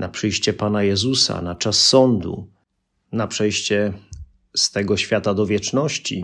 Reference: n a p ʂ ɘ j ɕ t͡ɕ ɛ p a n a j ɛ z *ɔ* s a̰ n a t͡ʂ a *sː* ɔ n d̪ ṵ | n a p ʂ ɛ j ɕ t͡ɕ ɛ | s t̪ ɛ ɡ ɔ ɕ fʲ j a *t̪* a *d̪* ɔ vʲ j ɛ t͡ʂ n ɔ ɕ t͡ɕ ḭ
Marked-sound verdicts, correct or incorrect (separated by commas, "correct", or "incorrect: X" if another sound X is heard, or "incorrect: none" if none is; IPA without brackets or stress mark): incorrect: u, correct, correct, correct